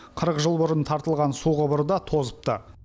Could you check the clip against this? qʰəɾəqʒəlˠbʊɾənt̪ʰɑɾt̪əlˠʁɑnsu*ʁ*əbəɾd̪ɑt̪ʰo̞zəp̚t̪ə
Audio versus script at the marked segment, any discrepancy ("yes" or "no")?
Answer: no